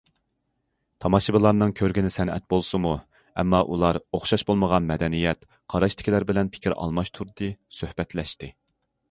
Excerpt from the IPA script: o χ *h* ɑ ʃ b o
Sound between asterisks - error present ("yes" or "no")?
yes